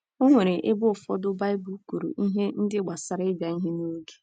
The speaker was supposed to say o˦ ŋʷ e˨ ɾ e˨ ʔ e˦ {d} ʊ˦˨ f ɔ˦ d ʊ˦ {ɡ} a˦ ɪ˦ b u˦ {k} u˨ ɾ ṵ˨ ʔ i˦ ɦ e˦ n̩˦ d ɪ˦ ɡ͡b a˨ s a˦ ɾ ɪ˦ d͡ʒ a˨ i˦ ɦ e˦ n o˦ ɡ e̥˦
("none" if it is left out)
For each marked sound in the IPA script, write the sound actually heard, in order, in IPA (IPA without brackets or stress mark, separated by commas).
b, b, k